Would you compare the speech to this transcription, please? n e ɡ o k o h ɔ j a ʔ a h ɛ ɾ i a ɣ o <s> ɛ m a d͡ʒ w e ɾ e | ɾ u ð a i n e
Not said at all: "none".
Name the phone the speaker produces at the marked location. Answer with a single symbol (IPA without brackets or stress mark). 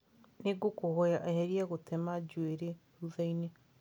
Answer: t